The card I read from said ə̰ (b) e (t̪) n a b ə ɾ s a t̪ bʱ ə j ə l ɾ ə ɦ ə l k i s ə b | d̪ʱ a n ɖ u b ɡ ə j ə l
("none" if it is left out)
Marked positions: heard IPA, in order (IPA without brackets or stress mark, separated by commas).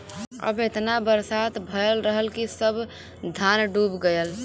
b, t̪